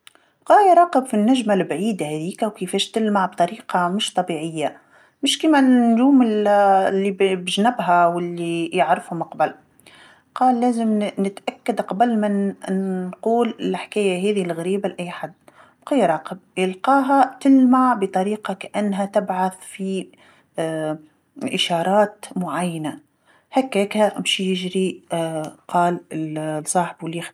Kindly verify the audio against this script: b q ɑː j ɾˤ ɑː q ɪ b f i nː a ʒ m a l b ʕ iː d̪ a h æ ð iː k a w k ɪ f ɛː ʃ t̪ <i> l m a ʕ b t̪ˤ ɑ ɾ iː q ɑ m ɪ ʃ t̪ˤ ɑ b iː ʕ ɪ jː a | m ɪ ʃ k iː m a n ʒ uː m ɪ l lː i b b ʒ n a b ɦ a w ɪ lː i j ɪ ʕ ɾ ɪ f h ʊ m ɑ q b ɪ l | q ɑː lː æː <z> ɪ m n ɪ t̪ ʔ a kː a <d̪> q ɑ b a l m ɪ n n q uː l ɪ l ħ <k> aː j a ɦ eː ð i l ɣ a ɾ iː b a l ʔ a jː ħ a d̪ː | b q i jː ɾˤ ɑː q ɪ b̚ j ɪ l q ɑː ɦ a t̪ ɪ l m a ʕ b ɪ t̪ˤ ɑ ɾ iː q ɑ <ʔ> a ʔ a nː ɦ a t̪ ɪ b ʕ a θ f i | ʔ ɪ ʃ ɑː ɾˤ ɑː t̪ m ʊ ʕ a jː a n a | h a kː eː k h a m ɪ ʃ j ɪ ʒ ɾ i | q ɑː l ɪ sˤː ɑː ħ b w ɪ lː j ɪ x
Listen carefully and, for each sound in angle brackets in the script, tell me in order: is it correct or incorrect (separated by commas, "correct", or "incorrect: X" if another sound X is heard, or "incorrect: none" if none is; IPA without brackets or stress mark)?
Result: incorrect: ɪ, correct, correct, correct, incorrect: k